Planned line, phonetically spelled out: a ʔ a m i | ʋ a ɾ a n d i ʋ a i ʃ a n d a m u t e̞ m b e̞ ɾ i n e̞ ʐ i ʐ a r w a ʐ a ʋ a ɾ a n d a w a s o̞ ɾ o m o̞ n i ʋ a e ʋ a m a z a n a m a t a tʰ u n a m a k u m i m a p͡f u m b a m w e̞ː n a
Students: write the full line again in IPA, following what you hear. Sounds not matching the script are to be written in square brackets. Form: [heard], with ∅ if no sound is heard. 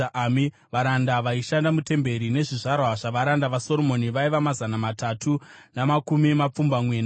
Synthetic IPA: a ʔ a m i | ʋ a ɾ a n d [a] ʋ a i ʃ a n d a m u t e̞ m b e̞ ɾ i n e̞ ʐ i ʐ a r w a ʐ a ʋ a ɾ a n d a [ʋ] a s o̞ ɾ o m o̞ n i ʋ a [i] ʋ a m a z a n a m a t a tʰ u n a m a k u m i m a p͡f u m b a m w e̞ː n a